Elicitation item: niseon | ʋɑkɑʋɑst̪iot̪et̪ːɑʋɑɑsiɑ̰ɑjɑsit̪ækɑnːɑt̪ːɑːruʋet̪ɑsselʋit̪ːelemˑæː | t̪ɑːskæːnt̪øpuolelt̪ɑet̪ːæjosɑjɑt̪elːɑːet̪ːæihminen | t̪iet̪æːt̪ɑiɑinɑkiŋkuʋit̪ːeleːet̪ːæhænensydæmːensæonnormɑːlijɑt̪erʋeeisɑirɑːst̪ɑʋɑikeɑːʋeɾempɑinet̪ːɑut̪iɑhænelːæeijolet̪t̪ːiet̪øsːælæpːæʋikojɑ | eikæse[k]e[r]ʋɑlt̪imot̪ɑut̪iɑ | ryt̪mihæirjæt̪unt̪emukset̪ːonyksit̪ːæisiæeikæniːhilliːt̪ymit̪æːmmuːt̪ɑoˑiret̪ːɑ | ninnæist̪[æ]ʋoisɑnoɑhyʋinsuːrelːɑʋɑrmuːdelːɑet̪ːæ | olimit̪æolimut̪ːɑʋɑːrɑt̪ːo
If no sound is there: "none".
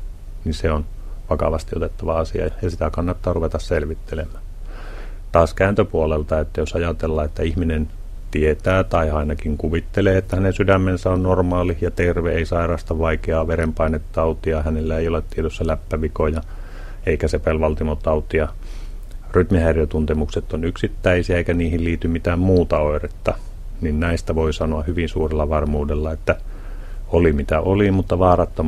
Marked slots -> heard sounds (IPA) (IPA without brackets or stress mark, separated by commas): p, l, æ